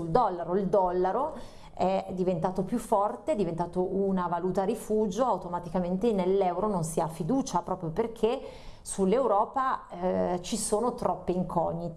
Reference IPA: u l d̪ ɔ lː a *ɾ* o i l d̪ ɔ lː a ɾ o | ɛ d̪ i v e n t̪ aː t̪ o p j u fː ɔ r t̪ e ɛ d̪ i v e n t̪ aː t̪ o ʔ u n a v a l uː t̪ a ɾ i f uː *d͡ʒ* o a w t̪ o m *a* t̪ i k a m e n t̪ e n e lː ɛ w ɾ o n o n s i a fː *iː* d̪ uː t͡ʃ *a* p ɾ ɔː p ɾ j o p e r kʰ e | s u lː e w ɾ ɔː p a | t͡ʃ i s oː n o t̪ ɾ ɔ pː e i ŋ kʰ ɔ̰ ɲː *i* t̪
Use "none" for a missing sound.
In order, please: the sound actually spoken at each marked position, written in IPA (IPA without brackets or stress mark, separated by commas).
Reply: ɾ, d͡ʒ, a, i, a, i